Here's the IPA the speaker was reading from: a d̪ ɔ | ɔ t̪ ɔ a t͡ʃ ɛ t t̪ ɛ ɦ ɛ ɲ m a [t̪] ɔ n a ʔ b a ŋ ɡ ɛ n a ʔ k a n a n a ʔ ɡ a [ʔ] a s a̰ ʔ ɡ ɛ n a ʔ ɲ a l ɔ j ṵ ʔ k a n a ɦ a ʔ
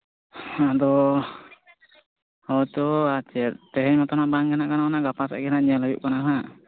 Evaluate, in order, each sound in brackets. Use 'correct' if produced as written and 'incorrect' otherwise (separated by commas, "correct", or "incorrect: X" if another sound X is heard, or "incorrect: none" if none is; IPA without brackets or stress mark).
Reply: correct, incorrect: p